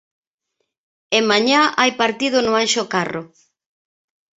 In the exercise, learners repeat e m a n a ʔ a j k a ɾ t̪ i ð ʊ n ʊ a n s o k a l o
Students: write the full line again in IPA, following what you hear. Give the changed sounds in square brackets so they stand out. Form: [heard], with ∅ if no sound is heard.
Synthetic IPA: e m a [ɲ] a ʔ a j [p] a ɾ t̪ i ð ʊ n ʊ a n [ʃ] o k a [r] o